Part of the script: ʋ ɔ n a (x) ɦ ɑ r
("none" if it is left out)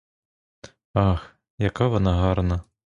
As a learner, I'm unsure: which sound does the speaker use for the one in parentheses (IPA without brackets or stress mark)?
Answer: none